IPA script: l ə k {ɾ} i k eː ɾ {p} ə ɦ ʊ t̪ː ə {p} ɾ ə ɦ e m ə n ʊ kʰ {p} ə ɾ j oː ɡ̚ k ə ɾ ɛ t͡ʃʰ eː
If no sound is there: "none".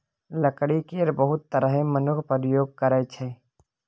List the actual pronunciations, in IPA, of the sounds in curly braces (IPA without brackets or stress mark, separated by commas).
ɽ, b, none, p